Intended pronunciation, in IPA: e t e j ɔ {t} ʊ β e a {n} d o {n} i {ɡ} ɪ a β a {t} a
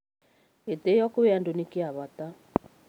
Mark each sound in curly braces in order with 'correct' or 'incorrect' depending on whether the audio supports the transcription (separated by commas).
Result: incorrect, correct, correct, incorrect, correct